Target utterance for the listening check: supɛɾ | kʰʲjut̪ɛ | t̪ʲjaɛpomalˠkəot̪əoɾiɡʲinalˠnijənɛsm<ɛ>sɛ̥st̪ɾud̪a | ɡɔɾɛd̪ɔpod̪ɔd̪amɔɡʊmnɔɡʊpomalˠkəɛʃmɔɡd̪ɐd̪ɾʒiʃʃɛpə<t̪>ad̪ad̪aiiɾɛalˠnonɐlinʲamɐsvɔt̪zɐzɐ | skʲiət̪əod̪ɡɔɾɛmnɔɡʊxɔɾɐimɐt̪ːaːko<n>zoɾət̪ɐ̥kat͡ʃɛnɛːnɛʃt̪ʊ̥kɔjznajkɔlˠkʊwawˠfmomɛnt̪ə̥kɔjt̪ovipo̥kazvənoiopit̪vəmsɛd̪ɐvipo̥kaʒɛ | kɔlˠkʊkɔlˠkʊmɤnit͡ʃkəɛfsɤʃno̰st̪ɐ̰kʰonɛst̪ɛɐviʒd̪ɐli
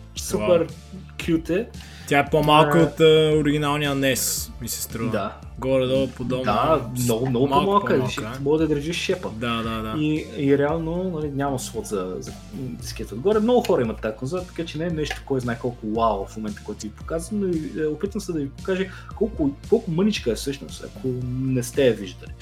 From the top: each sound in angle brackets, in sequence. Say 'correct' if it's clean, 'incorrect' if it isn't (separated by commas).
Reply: incorrect, incorrect, correct